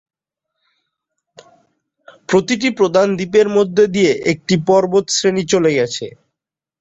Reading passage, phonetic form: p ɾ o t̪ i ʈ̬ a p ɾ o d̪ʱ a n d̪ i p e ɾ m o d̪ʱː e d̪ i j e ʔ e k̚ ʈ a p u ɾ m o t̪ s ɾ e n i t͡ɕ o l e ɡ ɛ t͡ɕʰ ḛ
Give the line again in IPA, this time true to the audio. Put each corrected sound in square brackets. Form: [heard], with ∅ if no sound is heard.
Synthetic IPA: p ɾ o t̪ i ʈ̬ [i] p ɾ o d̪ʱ a n d̪ i p e ɾ m o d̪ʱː e d̪ i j e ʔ e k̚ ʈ [i] p [ɔ] ɾ [b] o t̪ s ɾ e n i t͡ɕ o l e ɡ ɛ t͡ɕʰ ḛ